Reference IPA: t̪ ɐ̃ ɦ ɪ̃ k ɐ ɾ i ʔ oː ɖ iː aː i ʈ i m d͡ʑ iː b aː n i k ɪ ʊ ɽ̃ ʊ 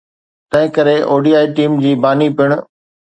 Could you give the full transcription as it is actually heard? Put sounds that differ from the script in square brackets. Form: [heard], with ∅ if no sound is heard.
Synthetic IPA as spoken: t̪ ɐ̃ ɦ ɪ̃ k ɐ ɾ [e] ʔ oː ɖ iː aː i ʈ [iː] m d͡ʑ iː b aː n i [p] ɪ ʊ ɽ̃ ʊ